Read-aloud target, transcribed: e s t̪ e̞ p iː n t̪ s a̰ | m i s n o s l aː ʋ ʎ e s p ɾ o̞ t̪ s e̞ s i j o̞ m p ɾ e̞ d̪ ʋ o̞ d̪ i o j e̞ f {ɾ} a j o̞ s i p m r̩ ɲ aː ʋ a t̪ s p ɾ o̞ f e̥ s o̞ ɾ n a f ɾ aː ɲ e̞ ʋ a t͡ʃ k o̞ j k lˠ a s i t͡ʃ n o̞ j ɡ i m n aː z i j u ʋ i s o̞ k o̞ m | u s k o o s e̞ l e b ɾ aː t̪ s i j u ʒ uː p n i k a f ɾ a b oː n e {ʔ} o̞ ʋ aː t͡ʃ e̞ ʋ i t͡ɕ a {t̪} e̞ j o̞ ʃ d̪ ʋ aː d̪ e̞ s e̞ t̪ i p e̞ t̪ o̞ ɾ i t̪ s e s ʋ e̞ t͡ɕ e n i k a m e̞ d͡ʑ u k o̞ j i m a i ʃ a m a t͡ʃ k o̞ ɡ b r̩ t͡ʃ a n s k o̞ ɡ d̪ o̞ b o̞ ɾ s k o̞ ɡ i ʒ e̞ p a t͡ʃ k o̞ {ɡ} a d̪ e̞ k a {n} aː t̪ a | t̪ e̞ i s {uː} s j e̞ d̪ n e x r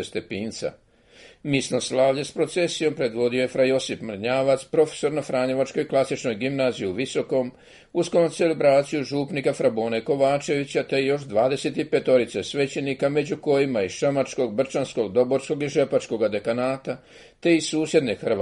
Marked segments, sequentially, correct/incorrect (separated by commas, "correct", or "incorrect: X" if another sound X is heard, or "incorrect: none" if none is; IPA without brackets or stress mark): correct, incorrect: k, correct, correct, correct, correct